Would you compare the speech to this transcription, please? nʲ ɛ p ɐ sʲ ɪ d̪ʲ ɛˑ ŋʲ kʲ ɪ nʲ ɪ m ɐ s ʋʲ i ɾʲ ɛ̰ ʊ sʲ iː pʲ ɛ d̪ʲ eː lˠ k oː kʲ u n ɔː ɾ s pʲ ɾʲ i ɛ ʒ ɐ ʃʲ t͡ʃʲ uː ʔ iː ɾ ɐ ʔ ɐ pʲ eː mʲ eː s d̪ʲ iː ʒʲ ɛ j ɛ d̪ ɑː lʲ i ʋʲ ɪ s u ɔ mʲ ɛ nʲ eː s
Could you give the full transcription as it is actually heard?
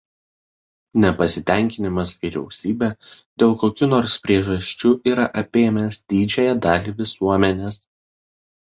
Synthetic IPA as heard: nʲ ɛ p ɐ sʲ ɪ t̪ʲ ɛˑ ŋʲ kʲ ɪ nʲ ɪ m ɐ s ʋʲ i ɾʲ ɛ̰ ʊ sʲ iː bʲ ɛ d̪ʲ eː lˠ k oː kʲ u n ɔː ɾ s pʲ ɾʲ i ɛ ʒ ɐ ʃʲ t͡ʃʲ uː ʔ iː ɾ ɐ ʔ ɐ pʲ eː mʲ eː s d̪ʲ iː d͡ʒʲ ɛ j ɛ d̪ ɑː lʲ i ʋʲ ɪ s u ɔ mʲ ɛ nʲ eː s

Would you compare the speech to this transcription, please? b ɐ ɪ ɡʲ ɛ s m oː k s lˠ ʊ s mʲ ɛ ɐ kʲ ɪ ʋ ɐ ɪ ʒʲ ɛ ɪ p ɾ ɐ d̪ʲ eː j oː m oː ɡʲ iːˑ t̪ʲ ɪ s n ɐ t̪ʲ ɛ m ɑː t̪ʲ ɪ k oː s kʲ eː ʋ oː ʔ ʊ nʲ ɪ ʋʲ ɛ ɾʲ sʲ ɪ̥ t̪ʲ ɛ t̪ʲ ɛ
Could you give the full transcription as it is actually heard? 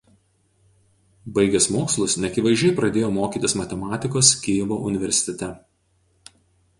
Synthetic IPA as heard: b ɐ ɪ ɡʲ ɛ s m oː k s lˠ ʊ s nʲ ɛ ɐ kʲ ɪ ʋ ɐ ɪ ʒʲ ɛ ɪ p ɾ ɐ d̪ʲ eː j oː m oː kʲ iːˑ t̪ʲ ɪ s m ɐ t̪ʲ ɛ m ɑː t̪ʲ ɪ k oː s kʲ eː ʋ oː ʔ ʊ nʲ ɪ ʋʲ ɛ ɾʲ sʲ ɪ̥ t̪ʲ ɛ t̪ʲ ɛ

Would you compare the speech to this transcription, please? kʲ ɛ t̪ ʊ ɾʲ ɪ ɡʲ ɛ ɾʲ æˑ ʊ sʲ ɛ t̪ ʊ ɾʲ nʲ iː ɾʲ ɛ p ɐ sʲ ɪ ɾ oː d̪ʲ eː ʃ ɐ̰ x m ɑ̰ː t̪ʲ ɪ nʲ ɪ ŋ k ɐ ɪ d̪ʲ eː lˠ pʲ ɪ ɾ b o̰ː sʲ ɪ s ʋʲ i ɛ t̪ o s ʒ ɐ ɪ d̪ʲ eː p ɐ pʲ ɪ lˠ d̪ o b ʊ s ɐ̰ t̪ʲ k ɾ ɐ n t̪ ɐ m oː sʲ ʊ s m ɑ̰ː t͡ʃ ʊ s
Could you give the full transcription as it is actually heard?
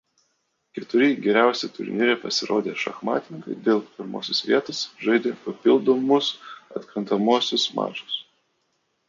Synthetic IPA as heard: kʲ ɛ t̪ ʊ ɾʲ ɪ ɡʲ ɛ ɾʲ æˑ ʊ sʲ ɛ t̪ ʊ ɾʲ nʲ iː ɾʲ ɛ p ɐ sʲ ɪ ɾ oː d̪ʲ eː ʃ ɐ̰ x m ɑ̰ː t̪ʲ ɪ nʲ ɪ ŋ k ɐ ɪ d̪ʲ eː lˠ pʲ ɪ ɾ m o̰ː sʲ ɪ s ʋʲ i ɛ t̪ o s ʒ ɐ ɪ d̪ʲ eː p ɐ pʲ ɪ lˠ d̪ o m ʊ s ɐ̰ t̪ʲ k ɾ ɐ n t̪ ɐ m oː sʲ ʊ s m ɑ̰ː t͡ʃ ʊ s

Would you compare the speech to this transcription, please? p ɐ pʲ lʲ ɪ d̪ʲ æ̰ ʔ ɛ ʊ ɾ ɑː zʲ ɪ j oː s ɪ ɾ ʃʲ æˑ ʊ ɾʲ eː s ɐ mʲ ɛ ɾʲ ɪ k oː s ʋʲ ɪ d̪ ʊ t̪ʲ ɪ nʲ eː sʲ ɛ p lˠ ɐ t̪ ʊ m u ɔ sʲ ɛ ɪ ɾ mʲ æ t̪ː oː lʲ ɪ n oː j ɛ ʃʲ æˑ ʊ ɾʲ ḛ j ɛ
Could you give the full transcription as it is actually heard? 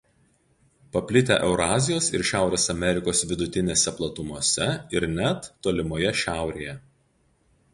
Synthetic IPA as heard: p ɐ pʲ lʲ ɪ t̪ʲ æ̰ ʔ ɛ ʊ ɾ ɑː zʲ ɪ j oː s ɪ ɾ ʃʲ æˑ ʊ ɾʲ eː s ɐ mʲ ɛ ɾʲ ɪ k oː s ʋʲ ɪ d̪ ʊ t̪ʲ ɪ nʲ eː sʲ ɛ p lˠ ɐ t̪ ʊ m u ɔ sʲ ɛ ɪ ɾ nʲ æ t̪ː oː lʲ ɪ m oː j ɛ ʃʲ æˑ ʊ ɾʲ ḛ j ɛ

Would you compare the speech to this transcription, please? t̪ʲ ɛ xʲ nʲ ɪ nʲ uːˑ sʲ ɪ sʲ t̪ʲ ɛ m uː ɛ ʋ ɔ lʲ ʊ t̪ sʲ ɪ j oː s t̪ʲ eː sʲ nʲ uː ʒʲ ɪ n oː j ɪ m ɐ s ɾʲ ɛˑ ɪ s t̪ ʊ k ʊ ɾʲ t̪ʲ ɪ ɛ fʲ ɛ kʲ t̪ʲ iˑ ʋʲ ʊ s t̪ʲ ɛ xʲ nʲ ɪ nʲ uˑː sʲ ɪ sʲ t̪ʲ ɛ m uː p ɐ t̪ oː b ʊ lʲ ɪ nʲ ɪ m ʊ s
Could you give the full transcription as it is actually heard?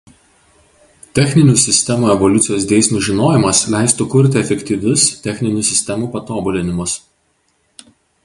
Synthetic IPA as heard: t̪ʲ ɛ xʲ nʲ ɪ nʲ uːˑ sʲ ɪ sʲ t̪ʲ ɛ m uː ɛ ʋ ɔ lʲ ʊ t̪ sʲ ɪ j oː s d̪ʲ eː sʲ nʲ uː ʒʲ ɪ n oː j ɪ m ɐ s lʲ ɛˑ ɪ s t̪ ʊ k ʊ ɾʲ t̪ʲ ɪ ɛ fʲ ɛ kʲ t̪ʲ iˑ ʋʲ ʊ s t̪ʲ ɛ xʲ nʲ ɪ nʲ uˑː sʲ ɪ sʲ t̪ʲ ɛ m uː p ɐ t̪ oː b ʊ lʲ ɪ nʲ ɪ m ʊ s

